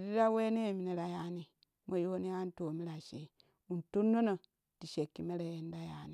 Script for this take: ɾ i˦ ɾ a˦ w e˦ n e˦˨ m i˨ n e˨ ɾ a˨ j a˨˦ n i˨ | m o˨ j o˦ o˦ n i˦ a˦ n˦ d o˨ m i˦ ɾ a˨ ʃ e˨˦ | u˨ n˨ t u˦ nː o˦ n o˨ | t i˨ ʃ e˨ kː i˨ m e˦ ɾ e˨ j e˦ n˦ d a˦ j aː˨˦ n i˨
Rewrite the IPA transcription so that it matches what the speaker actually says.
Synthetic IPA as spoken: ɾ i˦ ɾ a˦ w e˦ n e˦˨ m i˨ n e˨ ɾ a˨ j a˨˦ n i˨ | m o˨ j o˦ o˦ n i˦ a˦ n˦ t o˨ m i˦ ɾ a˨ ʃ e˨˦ | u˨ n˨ t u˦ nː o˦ n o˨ | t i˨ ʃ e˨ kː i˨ m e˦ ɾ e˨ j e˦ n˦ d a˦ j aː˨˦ n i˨